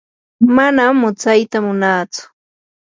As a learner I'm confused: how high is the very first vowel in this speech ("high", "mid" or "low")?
low